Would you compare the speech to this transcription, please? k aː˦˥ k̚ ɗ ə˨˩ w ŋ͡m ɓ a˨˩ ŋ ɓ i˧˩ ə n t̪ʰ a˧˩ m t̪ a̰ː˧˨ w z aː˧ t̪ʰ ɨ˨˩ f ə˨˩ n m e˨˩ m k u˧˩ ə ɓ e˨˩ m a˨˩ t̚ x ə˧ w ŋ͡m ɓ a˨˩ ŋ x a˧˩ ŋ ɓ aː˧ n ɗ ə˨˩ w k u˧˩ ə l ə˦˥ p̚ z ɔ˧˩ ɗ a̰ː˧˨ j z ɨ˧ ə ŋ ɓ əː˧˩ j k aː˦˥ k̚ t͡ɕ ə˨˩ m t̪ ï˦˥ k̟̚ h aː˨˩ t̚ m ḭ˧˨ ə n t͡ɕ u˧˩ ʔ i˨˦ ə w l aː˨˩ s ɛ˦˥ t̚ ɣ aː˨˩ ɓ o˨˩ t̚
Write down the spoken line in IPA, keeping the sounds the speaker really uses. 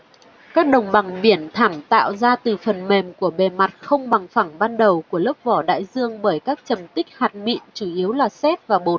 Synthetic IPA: k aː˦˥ k̚ ɗ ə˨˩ w ŋ͡m ɓ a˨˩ ŋ ɓ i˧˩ ə n t̪ʰ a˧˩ m t̪ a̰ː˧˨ w z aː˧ t̪ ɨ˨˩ f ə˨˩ n m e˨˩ m k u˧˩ ə ɓ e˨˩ m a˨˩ t̚ x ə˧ w ŋ͡m ɓ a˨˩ ŋ f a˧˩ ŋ ɓ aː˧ n ɗ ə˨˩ w k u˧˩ ə l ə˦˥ p̚ v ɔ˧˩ ɗ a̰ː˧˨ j z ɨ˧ ə ŋ ɓ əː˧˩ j k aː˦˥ k̚ t͡ɕ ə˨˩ m t̪ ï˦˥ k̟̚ h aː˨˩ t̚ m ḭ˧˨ ə n t͡ɕ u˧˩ ʔ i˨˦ ə w l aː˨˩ s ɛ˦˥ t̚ v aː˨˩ ɓ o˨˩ t̚